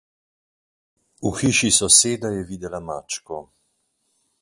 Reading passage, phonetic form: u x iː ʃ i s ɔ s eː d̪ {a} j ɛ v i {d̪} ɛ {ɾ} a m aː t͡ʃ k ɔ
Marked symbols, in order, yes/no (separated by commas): yes, yes, no